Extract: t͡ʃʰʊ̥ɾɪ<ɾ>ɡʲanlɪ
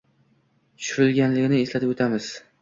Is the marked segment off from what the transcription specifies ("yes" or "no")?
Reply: yes